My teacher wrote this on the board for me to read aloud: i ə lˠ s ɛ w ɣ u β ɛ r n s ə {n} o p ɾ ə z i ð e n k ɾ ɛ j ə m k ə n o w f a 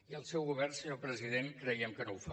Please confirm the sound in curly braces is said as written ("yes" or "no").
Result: no